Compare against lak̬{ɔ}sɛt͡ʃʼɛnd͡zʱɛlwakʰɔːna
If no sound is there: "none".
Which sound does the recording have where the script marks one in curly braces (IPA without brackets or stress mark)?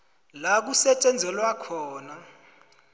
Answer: u